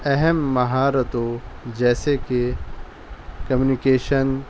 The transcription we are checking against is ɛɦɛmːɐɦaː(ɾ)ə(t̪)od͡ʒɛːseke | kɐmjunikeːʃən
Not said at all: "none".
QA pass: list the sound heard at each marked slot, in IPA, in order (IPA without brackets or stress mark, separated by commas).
ɾ, t̪